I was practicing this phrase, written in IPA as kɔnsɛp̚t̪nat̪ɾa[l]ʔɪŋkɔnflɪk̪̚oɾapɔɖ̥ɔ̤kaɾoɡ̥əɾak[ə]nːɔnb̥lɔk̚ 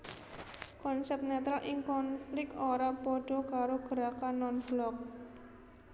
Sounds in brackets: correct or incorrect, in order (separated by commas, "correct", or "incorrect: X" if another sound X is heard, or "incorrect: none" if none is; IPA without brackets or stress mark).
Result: correct, incorrect: a